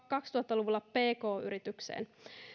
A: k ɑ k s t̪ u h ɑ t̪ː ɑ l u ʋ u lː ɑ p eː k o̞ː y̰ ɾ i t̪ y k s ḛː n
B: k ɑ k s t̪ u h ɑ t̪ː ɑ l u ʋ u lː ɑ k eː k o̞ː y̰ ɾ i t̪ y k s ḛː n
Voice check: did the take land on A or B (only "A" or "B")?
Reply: A